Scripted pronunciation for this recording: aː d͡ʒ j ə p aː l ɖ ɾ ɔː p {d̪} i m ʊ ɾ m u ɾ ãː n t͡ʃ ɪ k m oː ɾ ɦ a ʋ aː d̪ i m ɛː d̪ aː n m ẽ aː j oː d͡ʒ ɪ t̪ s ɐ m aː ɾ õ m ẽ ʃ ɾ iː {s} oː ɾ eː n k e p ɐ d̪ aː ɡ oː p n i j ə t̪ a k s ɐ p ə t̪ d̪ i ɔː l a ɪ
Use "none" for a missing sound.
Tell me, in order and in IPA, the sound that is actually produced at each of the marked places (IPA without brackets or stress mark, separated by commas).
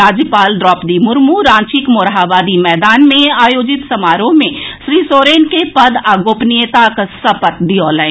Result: d̪, s